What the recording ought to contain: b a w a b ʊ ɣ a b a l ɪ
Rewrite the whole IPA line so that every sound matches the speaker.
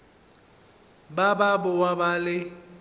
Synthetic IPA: b a b a b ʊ w a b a l ɪ